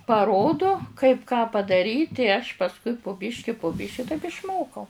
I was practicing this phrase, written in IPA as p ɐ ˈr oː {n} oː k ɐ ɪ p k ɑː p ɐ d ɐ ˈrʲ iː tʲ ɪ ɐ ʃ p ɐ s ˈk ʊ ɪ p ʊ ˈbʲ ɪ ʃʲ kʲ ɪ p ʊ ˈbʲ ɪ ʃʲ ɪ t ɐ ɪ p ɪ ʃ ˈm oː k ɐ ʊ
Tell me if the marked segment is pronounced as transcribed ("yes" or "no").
no